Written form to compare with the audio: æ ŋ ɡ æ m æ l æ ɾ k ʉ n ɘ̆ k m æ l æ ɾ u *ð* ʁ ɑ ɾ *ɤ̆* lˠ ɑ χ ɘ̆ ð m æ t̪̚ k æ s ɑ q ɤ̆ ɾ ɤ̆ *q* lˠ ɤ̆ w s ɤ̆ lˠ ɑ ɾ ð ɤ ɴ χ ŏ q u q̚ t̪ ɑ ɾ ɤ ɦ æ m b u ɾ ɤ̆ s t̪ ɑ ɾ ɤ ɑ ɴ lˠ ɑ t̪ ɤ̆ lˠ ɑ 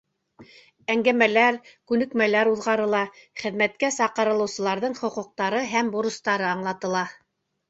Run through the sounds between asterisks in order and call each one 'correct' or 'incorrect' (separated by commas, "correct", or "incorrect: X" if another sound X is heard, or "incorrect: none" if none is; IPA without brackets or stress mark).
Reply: correct, correct, incorrect: none